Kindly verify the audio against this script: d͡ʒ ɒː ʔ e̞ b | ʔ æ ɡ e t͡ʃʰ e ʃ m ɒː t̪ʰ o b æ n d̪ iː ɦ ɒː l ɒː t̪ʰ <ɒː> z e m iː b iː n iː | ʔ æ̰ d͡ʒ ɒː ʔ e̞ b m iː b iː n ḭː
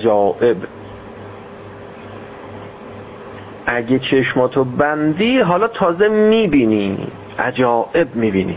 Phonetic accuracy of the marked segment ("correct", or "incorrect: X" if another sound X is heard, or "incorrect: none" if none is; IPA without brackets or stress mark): correct